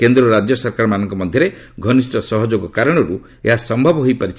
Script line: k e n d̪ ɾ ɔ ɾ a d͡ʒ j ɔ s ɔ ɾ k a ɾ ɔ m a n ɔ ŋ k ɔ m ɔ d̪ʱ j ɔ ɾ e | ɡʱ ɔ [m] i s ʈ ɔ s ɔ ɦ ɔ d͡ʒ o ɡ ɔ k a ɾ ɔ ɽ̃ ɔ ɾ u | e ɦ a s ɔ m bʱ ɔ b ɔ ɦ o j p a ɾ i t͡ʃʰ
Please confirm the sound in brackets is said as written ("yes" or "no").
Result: no